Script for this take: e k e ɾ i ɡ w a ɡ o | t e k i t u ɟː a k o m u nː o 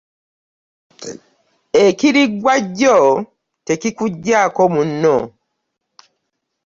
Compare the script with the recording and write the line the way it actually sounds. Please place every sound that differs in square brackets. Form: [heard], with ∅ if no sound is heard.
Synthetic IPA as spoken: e k [i] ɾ i ɡ w a [ɟ] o | t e k i [k] u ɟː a k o m u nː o